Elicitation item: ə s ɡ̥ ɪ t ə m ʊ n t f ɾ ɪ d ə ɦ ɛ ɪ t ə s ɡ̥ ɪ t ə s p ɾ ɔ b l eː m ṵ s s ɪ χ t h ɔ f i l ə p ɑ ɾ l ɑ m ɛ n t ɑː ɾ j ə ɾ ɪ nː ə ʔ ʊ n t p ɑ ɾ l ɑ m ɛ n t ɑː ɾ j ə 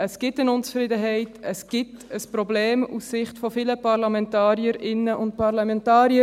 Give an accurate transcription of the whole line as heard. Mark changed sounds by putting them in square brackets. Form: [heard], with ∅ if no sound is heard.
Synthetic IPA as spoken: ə s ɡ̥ ɪ t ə [n] ʊ n [t͡s] f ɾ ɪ d ə ɦ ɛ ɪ t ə s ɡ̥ ɪ t ə s p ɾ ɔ b l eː m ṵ s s ɪ χ t [f] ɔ f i l ə p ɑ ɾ l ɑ m ɛ n t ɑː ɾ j ə ɾ ɪ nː ə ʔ ʊ n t p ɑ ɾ l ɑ m ɛ n t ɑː ɾ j ə